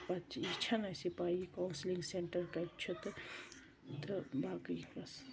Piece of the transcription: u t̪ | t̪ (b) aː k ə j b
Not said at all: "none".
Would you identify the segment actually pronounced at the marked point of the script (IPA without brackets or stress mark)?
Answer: b